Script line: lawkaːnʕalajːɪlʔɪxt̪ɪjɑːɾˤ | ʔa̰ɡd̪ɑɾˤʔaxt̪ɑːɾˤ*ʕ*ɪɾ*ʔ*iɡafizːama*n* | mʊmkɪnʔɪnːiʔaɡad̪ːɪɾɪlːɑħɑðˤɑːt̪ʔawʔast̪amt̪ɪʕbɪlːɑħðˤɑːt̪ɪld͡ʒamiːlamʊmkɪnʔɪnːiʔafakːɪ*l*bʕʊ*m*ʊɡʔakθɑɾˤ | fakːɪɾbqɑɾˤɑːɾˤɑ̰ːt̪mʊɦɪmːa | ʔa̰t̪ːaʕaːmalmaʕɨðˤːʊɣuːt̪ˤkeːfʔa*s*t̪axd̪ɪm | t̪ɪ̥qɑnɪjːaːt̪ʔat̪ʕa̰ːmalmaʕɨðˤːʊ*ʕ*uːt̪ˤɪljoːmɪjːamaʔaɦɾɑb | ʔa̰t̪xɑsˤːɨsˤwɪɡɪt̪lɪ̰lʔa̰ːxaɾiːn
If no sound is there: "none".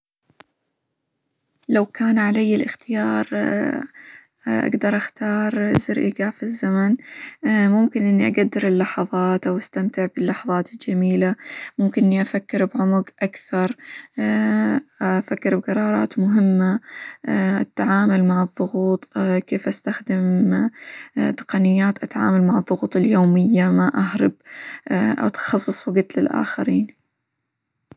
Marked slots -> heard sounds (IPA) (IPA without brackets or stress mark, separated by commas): z, ʔ, n, ɾ, m, s, ɣ